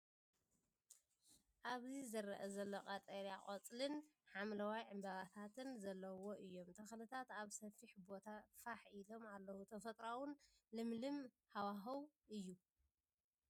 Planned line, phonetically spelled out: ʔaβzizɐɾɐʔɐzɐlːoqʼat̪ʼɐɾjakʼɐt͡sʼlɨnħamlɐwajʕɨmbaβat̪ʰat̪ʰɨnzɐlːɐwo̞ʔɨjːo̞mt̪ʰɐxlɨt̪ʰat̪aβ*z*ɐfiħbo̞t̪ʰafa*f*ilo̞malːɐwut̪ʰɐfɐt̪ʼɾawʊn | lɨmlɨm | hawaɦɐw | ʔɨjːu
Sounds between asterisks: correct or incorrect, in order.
incorrect: s, incorrect: ħ

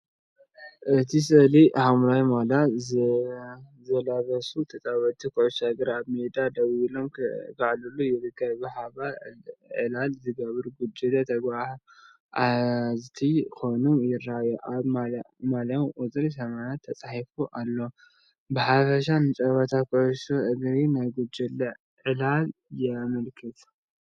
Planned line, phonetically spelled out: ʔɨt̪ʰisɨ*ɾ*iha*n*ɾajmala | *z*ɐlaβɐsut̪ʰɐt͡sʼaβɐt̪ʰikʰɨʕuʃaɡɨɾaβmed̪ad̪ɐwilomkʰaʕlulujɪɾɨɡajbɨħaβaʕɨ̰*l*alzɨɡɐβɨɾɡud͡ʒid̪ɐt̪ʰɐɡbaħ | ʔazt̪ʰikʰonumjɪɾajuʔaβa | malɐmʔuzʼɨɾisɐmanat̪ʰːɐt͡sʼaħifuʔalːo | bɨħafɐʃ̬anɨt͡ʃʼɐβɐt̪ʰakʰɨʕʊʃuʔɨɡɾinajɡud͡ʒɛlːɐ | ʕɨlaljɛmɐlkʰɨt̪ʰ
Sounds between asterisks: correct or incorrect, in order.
incorrect: l, incorrect: m, correct, correct

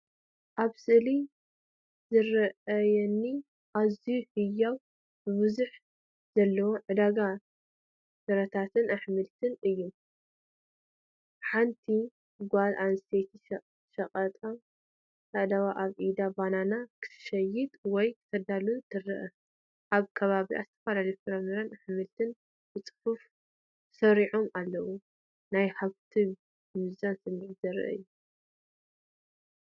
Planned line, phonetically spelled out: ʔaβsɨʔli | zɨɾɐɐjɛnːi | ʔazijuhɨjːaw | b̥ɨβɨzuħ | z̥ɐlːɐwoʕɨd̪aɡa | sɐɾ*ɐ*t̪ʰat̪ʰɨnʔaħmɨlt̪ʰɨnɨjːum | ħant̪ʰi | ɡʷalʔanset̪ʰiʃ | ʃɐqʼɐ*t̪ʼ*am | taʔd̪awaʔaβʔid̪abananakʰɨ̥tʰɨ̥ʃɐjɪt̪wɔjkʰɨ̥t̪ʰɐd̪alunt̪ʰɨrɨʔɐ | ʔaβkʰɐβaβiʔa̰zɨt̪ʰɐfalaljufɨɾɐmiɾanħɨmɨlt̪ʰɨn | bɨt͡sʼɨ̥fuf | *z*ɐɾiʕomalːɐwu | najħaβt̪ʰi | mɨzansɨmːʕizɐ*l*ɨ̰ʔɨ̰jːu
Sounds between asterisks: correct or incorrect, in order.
correct, correct, incorrect: s, incorrect: ɾ

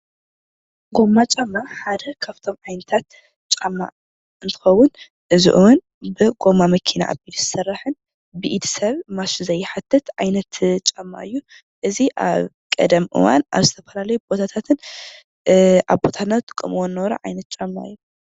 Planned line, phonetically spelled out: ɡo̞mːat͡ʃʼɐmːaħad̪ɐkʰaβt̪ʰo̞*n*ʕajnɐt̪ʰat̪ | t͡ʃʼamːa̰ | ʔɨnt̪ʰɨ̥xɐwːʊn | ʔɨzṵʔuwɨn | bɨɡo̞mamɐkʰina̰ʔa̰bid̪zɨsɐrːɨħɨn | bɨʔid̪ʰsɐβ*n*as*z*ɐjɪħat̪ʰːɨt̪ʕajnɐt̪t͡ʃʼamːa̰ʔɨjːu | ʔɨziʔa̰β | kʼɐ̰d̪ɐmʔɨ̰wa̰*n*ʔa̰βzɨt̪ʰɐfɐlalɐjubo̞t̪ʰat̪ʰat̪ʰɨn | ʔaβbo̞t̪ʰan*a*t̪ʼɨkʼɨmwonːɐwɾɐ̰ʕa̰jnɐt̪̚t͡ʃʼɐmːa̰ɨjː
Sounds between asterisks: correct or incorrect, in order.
incorrect: m, incorrect: m, correct, correct, correct

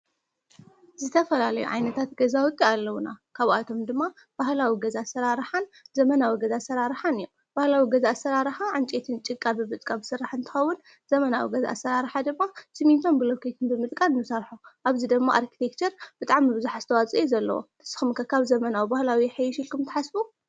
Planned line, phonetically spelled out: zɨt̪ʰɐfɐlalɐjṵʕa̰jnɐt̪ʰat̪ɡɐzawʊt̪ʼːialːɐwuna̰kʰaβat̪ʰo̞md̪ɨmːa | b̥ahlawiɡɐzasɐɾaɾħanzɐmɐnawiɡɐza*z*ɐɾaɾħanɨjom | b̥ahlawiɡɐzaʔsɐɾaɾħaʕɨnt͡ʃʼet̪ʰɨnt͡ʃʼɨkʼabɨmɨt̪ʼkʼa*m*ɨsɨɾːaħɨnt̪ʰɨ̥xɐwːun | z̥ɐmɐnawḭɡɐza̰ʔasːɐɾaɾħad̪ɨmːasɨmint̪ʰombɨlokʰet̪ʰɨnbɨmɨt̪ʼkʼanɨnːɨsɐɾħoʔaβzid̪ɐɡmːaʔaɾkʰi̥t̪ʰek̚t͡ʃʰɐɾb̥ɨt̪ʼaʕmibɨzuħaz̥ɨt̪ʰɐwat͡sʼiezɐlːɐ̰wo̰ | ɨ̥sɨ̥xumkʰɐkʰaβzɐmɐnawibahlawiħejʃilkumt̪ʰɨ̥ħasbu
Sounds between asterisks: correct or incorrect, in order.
incorrect: s, incorrect: b

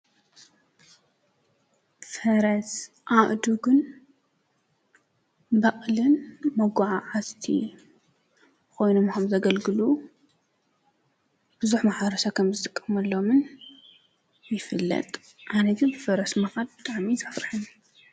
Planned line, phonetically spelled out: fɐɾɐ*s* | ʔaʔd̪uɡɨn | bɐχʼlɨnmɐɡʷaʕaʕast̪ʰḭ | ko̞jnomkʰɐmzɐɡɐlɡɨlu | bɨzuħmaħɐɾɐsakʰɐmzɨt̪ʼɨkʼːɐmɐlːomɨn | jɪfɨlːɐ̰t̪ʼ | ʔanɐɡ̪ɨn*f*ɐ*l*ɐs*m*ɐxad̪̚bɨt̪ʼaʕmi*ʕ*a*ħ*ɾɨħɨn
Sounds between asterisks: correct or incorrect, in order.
correct, correct, incorrect: ɾ, correct, incorrect: z, incorrect: f

